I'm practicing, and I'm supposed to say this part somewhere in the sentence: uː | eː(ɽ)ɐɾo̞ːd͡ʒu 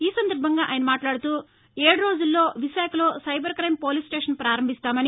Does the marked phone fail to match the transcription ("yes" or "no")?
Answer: no